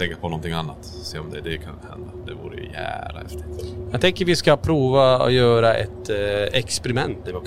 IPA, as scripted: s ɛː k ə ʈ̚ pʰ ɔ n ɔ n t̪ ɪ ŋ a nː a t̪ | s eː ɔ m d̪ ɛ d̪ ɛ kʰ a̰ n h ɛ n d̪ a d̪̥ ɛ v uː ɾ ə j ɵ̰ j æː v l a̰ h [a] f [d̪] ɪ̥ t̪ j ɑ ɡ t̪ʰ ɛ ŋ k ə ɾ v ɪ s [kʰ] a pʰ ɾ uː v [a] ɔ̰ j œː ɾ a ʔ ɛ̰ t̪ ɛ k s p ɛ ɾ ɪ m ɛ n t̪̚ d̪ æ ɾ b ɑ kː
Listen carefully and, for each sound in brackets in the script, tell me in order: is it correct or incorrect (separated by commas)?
incorrect, incorrect, incorrect, correct